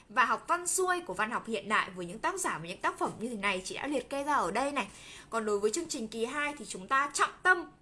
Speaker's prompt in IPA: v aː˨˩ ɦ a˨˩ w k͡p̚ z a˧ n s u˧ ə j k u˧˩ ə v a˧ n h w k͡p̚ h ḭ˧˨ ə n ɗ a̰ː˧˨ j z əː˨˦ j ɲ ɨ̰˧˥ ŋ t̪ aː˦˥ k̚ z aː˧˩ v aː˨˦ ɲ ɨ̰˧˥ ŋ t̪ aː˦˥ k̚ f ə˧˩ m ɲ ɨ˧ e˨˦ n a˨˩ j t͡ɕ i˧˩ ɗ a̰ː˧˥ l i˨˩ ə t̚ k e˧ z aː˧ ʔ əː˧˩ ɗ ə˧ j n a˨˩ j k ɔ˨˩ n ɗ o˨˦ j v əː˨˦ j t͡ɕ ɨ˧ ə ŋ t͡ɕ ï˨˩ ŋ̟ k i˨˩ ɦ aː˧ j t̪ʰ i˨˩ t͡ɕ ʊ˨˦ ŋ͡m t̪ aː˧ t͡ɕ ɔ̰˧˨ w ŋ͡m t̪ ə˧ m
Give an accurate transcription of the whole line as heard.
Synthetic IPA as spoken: v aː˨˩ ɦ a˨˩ w k͡p̚ v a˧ n s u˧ ə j k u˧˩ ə v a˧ n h w k͡p̚ h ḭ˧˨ ə n ɗ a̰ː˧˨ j v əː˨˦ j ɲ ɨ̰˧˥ ŋ t̪ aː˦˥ k̚ z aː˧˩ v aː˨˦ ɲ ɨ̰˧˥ ŋ t̪ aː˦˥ k̚ f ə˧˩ m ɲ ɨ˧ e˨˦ n a˨˩ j t͡ɕ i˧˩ ɗ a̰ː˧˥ l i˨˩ ə t̚ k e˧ z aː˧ ʔ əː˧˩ ɗ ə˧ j n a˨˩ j k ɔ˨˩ n ɗ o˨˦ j v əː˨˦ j t͡ɕ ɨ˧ ə ŋ t͡ɕ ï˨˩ ŋ̟ k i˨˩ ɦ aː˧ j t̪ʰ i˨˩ t͡ɕ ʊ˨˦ ŋ͡m t̪ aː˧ t͡ɕ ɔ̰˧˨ w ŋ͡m t̪ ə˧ m